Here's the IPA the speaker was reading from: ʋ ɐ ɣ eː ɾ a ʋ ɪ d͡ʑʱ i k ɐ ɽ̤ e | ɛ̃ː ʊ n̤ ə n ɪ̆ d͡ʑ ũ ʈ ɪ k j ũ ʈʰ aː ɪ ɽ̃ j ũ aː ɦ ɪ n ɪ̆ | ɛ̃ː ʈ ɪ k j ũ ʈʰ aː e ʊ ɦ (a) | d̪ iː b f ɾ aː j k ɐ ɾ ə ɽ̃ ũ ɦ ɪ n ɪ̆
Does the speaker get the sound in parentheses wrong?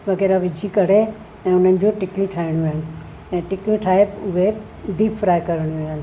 yes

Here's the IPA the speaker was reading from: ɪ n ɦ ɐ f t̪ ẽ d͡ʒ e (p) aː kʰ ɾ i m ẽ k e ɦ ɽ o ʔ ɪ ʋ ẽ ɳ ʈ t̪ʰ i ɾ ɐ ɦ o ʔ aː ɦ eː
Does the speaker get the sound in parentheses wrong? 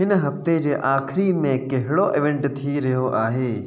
yes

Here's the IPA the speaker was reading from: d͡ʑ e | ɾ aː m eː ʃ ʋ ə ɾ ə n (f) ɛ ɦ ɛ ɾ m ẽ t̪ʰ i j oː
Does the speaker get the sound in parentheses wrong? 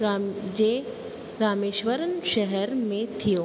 yes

